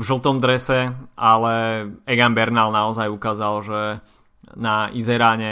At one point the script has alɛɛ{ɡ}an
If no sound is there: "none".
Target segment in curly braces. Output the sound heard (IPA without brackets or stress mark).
ɡ